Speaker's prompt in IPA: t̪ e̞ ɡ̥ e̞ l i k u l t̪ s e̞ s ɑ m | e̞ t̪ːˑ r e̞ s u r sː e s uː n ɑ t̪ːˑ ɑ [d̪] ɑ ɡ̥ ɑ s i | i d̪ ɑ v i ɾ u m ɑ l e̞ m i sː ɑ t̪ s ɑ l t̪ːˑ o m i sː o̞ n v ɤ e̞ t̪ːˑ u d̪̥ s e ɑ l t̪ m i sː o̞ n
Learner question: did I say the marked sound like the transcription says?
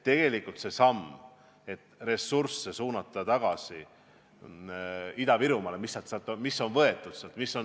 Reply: no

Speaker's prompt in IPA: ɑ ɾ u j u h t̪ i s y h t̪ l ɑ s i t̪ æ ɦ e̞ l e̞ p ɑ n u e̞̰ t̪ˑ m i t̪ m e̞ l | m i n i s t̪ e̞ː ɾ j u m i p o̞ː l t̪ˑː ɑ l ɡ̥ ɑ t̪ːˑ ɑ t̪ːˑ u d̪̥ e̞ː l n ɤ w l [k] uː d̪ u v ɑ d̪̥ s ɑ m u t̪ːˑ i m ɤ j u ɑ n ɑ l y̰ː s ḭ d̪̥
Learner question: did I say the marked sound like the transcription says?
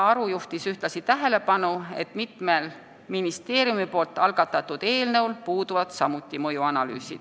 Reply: no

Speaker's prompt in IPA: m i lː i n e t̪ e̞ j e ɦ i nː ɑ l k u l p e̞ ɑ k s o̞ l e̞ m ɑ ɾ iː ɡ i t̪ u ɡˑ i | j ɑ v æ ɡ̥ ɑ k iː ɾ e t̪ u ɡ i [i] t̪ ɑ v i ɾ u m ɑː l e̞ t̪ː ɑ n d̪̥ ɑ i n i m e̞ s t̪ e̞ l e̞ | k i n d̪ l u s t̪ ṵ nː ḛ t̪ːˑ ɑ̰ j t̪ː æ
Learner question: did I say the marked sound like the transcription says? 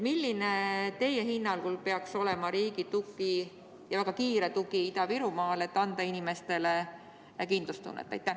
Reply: yes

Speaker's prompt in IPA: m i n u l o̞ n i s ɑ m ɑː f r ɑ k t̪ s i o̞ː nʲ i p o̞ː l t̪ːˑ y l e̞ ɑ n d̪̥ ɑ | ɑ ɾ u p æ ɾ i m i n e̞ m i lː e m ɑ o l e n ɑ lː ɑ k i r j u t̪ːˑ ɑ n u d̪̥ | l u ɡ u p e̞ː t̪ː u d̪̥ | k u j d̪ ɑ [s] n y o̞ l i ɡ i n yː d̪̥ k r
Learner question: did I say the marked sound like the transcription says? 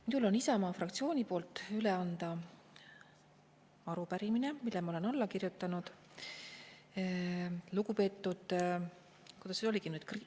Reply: yes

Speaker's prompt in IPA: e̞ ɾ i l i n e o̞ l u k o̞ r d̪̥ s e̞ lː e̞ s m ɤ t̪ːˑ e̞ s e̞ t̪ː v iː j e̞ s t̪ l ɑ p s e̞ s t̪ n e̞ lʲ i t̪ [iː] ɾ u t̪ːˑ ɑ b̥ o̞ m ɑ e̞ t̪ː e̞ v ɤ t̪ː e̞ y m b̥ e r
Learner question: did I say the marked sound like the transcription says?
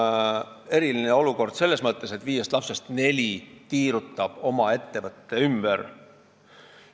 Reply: yes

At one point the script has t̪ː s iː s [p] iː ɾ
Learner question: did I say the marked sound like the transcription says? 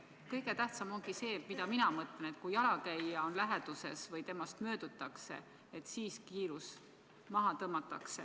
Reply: no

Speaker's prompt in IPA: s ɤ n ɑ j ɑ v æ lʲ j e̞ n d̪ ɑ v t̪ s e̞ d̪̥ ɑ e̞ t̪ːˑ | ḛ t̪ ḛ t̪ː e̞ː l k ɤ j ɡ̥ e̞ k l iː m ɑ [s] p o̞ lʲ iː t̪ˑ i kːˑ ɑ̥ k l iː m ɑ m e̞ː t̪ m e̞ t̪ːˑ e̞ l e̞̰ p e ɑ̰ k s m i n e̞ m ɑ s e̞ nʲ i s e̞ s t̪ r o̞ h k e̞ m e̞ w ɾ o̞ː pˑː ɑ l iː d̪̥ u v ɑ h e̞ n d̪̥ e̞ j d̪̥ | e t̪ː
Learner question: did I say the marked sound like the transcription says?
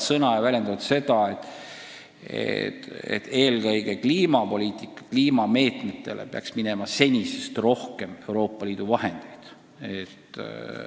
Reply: no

